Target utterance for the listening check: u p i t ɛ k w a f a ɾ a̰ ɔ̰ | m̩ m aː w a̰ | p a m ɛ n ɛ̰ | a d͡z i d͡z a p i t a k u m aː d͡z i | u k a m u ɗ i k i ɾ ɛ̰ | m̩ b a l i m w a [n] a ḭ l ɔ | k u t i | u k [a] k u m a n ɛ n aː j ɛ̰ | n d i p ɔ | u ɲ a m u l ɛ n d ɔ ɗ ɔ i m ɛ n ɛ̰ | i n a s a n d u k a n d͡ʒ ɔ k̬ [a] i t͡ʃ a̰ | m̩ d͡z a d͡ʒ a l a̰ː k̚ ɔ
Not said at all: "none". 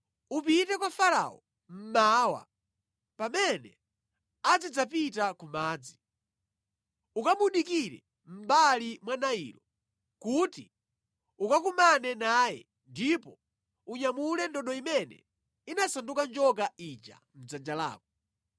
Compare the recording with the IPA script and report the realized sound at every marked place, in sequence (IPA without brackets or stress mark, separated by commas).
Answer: n, a, a